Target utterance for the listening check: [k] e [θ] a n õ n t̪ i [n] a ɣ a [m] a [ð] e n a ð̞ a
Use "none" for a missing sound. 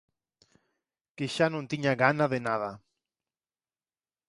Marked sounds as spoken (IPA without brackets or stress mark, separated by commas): k, ʃ, ɲ, n, ð